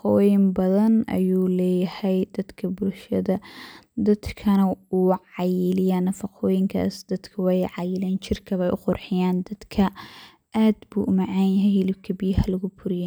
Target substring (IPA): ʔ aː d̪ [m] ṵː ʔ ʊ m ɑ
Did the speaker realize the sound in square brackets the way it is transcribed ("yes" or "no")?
no